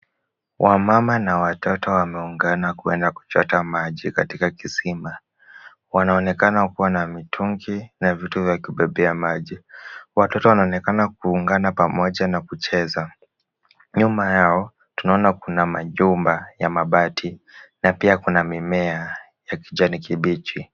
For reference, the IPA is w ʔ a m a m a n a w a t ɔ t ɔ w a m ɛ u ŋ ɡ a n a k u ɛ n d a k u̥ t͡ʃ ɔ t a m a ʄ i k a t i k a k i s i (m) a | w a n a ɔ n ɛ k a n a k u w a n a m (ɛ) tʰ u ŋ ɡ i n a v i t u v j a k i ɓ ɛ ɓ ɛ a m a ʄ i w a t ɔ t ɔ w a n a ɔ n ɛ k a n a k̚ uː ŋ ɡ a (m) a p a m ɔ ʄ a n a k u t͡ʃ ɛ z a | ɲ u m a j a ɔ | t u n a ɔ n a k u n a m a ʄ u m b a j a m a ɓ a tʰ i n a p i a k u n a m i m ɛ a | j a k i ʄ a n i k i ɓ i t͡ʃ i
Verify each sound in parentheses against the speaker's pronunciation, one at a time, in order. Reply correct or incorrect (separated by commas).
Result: correct, incorrect, incorrect